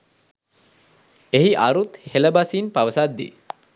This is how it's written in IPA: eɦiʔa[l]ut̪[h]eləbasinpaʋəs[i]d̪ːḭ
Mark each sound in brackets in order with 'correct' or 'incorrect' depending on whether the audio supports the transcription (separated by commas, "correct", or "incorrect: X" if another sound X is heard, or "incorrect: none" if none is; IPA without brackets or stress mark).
incorrect: ɾ, correct, incorrect: a